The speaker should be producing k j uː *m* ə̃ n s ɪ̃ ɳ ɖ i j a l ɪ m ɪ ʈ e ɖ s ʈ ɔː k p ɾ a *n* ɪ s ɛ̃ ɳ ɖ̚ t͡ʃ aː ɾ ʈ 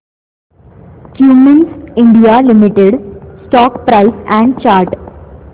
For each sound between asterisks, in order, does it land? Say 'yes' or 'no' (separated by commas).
yes, no